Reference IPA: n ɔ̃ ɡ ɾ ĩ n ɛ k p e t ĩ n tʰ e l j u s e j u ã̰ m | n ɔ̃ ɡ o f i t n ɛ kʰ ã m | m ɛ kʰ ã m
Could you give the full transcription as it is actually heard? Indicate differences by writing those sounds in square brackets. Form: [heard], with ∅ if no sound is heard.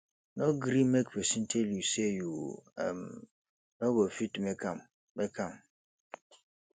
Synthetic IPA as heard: n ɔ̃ ɡ ɾ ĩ [m] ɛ k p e [s] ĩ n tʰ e l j u s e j u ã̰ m | n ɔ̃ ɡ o f i t [m] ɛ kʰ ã m | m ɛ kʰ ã m